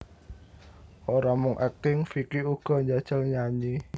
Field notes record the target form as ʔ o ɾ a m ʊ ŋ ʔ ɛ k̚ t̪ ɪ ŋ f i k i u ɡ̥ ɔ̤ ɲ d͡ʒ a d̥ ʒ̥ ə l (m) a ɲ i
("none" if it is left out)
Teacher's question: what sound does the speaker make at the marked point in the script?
ɲ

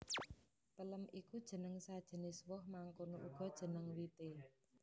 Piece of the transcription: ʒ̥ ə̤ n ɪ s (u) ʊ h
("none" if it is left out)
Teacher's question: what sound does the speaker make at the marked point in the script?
w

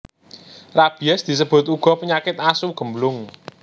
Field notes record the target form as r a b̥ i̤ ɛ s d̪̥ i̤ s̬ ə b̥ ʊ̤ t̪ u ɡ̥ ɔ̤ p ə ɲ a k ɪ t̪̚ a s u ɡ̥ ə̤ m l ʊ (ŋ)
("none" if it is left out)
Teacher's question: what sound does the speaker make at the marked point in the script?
ŋ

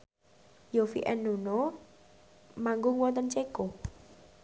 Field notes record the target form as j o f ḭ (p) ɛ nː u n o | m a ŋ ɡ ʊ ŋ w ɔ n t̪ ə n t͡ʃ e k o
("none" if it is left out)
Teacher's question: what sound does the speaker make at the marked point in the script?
ʔ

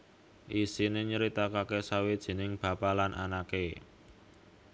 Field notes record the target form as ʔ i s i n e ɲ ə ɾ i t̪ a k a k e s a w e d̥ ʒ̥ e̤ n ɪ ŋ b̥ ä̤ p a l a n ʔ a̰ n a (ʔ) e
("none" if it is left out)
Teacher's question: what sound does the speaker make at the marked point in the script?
k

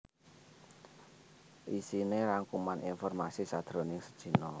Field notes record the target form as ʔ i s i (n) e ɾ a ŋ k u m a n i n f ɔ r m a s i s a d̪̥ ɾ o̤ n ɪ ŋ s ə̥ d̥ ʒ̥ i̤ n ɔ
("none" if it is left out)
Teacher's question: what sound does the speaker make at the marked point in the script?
n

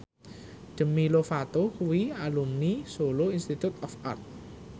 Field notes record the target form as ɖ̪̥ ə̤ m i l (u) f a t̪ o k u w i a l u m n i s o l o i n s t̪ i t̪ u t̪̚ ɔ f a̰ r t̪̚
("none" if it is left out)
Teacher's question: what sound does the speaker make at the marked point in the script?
o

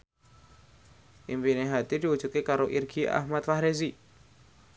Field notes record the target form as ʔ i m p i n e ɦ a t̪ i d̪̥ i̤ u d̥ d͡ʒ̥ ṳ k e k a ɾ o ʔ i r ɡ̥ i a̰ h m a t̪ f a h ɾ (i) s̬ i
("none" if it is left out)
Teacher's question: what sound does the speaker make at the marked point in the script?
e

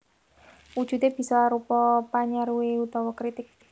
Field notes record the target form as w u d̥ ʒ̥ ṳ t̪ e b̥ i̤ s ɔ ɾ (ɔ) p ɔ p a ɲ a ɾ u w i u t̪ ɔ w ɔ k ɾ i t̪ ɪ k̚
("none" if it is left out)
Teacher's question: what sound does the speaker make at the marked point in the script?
u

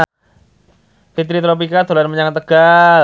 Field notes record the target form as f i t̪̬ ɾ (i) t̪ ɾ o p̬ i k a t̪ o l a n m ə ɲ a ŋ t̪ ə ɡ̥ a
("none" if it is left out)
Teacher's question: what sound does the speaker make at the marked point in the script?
i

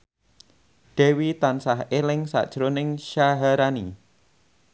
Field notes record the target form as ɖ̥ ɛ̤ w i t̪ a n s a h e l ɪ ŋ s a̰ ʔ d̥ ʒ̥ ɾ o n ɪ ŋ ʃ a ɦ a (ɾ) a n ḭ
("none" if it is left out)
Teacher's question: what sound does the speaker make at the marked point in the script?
ɾ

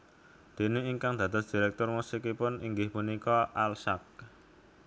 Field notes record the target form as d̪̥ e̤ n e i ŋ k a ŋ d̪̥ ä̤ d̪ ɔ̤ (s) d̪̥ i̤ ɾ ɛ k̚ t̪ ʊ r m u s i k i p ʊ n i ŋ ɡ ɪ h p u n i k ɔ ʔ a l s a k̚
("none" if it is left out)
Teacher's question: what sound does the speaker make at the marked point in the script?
s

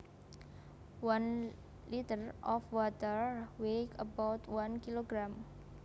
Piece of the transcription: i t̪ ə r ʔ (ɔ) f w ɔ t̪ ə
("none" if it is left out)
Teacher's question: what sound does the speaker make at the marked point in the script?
ɔ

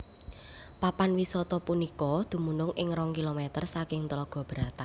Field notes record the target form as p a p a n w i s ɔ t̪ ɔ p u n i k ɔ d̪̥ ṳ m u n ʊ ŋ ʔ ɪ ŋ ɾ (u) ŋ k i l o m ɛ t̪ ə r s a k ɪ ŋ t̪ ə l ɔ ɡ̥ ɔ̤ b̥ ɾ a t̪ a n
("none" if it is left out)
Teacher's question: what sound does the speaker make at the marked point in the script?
ɔ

